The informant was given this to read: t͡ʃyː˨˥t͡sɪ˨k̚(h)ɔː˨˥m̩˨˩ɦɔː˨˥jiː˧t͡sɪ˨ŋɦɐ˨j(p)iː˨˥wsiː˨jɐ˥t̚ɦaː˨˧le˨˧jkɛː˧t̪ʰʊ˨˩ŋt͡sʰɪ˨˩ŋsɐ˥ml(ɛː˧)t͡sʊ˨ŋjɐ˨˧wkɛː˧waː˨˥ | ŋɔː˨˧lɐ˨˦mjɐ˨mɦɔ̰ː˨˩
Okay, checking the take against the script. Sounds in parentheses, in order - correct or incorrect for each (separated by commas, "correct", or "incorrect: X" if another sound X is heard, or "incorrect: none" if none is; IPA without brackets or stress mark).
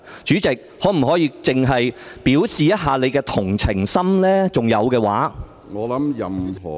correct, correct, incorrect: ɛː˥